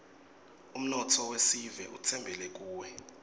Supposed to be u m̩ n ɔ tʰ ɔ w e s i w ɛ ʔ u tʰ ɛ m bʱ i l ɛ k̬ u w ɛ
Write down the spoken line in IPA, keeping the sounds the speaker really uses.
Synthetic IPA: u m̩ n ɔ tʰ ɔ w e s i v ɛ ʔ u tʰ ɛ m bʱ ɛ l ɛ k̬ uː w ɛ